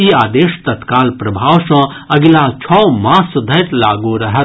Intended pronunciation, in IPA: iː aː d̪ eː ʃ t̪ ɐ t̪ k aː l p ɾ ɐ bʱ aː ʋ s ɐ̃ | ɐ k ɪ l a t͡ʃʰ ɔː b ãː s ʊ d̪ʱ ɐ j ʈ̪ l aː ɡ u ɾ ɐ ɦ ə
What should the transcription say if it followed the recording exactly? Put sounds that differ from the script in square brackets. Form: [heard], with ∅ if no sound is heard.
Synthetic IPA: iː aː d̪ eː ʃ t̪ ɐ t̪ k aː l p ɾ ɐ bʱ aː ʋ s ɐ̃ | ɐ [ɡ] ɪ l a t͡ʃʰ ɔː [m] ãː s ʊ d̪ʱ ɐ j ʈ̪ l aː ɡ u ɾ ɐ ɦ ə